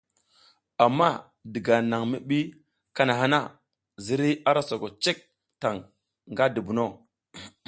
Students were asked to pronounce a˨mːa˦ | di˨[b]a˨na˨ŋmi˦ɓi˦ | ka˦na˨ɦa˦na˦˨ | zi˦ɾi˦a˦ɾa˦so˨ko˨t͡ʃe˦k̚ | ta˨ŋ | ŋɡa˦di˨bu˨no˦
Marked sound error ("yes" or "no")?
yes